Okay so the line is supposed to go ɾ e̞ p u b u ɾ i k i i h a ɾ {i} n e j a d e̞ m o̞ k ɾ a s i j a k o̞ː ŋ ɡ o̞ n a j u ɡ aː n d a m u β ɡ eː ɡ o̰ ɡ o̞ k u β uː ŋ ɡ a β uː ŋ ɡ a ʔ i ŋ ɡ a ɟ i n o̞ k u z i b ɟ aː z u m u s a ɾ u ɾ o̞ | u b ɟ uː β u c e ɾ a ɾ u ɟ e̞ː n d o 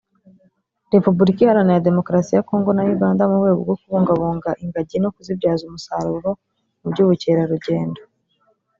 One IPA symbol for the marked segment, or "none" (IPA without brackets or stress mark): a